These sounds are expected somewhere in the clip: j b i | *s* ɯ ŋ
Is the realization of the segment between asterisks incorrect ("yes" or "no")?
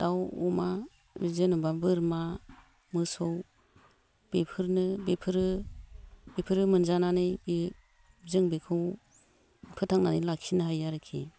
yes